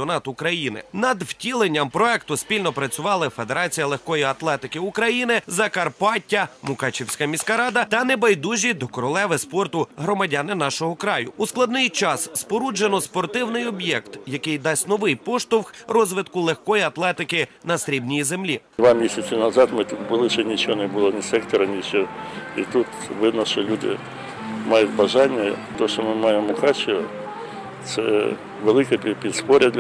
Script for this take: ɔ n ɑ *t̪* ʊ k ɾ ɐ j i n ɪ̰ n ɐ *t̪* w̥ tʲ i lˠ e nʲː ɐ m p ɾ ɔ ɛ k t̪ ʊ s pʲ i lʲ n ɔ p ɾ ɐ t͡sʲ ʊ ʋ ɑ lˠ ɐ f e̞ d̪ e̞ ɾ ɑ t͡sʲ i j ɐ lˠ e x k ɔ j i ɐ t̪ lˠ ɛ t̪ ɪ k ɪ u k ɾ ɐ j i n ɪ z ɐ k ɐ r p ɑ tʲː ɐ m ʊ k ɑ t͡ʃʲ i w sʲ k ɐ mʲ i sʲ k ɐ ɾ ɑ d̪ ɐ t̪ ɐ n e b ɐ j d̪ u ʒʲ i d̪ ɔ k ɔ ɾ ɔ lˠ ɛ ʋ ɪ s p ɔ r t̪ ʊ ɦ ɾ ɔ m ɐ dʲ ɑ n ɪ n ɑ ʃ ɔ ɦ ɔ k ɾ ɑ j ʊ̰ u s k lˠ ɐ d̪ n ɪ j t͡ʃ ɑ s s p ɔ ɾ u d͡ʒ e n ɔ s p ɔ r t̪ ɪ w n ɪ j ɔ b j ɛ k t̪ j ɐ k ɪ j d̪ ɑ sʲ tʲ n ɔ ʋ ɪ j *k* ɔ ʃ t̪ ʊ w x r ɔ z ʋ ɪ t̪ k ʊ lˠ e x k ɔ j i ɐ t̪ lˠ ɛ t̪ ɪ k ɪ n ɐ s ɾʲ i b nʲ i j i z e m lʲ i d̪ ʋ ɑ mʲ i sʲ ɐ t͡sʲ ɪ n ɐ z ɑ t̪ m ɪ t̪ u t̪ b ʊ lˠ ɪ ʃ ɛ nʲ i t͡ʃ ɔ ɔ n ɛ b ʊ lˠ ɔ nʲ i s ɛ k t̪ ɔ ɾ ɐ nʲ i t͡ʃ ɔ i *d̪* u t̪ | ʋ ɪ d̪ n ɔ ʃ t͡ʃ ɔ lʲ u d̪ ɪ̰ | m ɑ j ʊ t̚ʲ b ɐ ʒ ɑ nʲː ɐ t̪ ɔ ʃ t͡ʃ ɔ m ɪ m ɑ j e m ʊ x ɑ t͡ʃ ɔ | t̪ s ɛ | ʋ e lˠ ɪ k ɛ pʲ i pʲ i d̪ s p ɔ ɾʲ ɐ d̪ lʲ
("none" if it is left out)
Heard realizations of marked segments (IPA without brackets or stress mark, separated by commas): t̪, d̪, p, t̪